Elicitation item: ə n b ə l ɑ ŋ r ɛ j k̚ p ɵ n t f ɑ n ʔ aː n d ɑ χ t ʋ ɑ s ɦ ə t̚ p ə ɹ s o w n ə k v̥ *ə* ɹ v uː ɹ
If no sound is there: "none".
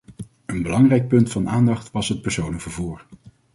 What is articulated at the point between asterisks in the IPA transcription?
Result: ə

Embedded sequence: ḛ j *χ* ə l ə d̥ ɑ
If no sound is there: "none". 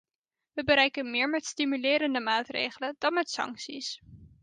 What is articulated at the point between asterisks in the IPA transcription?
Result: χ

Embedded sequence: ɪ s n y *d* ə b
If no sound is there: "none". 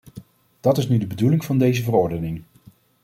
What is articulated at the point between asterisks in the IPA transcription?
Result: d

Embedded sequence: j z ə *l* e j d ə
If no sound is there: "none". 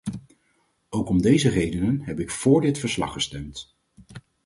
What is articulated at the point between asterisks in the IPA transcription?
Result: r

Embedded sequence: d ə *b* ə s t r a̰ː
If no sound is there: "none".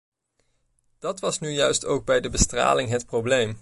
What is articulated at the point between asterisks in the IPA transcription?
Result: b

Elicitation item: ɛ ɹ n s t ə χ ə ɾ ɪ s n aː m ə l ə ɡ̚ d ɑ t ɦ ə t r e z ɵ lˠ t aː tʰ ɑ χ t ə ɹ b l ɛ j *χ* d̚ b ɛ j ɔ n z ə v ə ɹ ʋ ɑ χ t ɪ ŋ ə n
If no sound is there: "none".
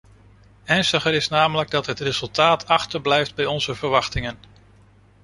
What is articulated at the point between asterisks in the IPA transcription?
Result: f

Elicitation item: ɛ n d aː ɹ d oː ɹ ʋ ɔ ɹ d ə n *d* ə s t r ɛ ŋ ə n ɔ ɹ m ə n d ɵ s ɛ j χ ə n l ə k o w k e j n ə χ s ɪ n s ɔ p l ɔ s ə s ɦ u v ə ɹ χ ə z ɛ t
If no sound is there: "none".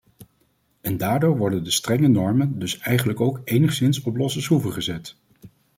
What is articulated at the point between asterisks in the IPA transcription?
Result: d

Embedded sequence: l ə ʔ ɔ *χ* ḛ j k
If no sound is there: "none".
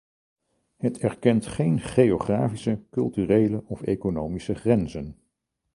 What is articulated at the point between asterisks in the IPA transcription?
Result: f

